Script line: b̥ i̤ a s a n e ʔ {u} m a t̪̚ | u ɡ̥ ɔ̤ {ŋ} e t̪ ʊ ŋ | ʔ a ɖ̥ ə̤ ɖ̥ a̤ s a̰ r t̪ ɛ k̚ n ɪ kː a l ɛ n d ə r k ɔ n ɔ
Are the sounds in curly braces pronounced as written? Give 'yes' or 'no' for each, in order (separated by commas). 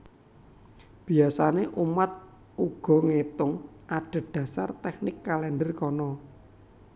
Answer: yes, yes